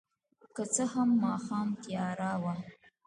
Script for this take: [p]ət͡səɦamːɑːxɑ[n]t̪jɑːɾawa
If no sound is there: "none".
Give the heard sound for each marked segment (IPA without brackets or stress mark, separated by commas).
k, m